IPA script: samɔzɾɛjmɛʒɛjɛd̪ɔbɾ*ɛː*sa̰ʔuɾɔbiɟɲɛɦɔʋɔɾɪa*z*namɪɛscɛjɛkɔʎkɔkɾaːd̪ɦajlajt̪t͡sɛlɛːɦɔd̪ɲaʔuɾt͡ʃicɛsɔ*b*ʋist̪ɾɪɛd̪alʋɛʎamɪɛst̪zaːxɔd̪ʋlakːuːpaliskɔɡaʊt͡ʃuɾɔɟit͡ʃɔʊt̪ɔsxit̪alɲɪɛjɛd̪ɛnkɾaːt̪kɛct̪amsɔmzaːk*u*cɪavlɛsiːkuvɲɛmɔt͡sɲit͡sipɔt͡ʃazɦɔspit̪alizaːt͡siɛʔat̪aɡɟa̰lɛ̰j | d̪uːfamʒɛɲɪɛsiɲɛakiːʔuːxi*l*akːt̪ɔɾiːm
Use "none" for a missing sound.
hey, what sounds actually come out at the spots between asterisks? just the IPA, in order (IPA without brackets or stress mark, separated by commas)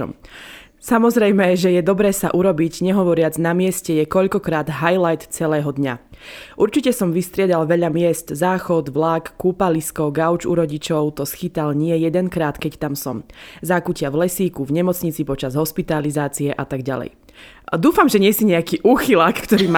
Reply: ɛː, d͡z, m, u, l